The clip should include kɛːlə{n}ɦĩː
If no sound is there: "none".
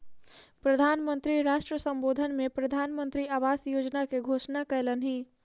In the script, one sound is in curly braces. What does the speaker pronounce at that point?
n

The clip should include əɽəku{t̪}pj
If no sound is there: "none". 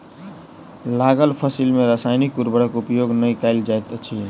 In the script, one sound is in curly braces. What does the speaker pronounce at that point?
none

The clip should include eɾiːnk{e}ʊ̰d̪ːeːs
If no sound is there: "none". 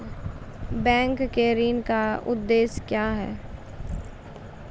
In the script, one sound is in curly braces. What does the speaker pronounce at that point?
a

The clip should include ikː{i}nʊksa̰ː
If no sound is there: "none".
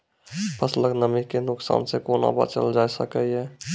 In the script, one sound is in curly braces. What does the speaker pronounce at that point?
e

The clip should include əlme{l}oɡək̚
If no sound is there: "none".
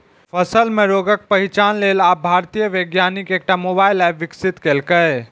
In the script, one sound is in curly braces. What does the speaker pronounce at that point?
ɾ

